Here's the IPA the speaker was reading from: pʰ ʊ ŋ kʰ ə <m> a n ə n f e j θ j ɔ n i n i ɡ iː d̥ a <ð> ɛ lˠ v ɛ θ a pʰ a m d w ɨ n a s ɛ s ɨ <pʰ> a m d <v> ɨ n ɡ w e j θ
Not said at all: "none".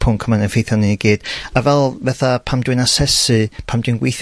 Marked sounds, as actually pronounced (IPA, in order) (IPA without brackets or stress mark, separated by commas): m, v, pʰ, w